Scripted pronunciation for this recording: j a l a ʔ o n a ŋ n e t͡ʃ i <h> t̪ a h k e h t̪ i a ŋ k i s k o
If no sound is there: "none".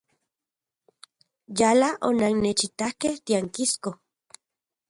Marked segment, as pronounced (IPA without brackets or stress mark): none